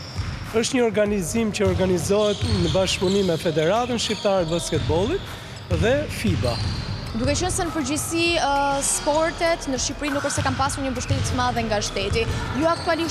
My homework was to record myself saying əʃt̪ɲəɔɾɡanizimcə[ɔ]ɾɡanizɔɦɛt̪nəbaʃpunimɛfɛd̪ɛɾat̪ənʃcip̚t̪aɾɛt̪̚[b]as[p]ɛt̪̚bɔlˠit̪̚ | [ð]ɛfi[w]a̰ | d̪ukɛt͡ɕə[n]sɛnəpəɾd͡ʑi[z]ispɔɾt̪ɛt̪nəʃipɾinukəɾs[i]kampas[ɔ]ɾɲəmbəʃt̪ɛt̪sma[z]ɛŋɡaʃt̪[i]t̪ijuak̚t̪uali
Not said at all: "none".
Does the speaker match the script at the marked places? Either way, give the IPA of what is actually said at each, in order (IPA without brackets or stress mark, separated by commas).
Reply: ɔ, b, k, ð, b, n, s, ɛ, u, ð, ɛ